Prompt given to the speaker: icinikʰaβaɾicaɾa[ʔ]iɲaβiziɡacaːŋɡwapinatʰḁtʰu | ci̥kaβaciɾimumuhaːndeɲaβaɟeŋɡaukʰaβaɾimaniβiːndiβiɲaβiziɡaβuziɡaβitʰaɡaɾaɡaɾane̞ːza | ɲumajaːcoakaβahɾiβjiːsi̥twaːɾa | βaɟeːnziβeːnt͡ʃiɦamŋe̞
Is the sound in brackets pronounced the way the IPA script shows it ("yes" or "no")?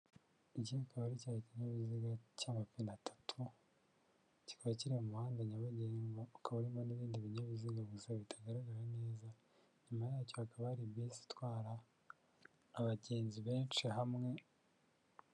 no